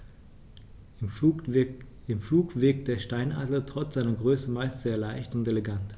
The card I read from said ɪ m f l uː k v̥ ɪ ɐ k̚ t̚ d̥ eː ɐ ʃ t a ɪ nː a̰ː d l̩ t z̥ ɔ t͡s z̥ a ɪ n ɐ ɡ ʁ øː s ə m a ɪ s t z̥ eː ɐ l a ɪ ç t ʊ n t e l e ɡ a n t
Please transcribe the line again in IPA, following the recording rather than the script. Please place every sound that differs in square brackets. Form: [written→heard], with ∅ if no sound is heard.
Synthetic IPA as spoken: ɪ m f l uː k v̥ ɪ ɐ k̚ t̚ d̥ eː ɐ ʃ t a ɪ [nː→n] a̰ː d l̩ t [z̥→ʁ̥] ɔ t͡s z̥ a ɪ n ɐ ɡ ʁ øː s ə m a ɪ s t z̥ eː ɐ l a ɪ ç t ʊ n t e l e ɡ a n t